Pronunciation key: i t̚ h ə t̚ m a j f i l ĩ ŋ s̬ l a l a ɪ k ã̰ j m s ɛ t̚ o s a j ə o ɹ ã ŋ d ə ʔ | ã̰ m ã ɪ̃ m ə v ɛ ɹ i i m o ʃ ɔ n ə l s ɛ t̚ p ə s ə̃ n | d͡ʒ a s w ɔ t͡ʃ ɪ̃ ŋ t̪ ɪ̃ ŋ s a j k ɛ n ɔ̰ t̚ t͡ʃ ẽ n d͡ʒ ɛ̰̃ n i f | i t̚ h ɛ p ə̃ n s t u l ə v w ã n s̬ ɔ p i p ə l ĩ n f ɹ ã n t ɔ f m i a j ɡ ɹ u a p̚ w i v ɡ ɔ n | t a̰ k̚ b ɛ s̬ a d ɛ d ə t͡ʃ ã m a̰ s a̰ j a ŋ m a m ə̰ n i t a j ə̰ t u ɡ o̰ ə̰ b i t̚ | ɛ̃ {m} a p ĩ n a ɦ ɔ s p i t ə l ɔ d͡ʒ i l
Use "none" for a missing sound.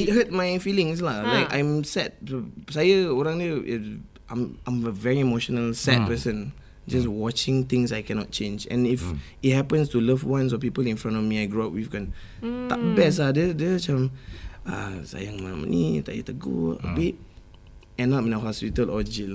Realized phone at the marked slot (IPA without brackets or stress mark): n